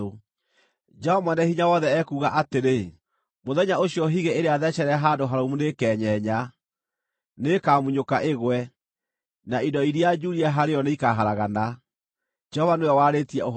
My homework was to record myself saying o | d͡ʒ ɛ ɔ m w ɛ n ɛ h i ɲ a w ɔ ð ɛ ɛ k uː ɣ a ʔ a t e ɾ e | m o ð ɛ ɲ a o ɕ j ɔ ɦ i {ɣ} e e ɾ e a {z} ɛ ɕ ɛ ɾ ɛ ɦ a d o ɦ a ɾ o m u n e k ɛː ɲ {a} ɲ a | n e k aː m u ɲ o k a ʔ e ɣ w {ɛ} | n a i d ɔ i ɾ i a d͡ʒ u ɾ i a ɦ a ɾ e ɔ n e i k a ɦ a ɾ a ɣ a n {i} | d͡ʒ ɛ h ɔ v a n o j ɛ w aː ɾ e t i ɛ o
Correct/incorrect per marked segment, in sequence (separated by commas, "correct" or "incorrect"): correct, incorrect, incorrect, correct, incorrect